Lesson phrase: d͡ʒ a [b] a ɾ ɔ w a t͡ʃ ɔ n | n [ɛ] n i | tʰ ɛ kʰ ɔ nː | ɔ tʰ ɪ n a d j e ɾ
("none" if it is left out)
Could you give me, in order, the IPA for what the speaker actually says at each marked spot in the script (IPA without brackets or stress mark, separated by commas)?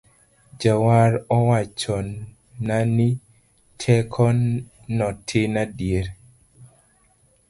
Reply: w, a